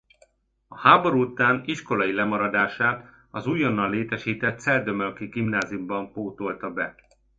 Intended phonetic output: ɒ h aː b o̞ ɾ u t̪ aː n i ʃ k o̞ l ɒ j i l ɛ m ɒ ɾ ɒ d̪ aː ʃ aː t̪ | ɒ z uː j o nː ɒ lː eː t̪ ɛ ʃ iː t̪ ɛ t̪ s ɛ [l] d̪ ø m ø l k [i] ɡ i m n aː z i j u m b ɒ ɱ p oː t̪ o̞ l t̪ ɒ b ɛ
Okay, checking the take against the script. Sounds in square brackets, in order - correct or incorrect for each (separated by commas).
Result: correct, correct